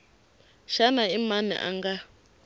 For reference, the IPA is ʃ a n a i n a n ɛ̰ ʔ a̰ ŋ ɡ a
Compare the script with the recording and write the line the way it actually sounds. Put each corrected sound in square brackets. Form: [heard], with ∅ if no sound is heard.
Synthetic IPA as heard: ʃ a n a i [m] a n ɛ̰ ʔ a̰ ŋ ɡ a